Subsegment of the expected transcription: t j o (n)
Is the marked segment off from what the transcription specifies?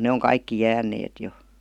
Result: yes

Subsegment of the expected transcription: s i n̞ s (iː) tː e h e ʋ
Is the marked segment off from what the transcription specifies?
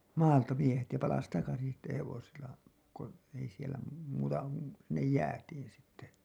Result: yes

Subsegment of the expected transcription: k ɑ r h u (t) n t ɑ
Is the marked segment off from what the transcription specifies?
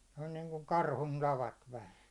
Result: yes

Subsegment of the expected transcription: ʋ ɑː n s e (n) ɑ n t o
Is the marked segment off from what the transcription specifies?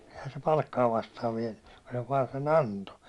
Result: no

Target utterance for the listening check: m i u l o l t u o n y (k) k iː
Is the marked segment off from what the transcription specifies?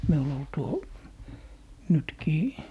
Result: yes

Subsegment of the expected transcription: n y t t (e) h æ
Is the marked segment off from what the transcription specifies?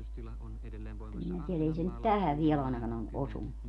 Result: yes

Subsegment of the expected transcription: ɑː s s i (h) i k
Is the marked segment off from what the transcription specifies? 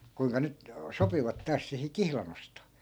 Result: no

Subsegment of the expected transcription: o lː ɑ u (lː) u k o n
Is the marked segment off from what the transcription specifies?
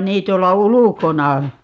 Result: yes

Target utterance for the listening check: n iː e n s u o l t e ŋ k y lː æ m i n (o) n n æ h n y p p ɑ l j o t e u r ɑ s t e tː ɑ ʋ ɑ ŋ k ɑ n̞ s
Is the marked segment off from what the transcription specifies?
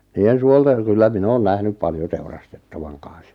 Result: yes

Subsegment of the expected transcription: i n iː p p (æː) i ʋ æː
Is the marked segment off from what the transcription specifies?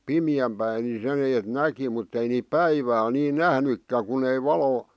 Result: yes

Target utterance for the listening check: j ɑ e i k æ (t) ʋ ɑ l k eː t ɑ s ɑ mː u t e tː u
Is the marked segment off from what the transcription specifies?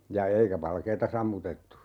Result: yes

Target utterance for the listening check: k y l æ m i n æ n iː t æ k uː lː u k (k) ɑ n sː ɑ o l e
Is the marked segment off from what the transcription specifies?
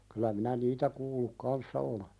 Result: no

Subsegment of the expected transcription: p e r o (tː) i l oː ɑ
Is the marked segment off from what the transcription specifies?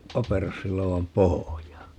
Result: yes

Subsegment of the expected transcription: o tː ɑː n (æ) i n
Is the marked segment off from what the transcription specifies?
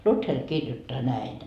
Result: no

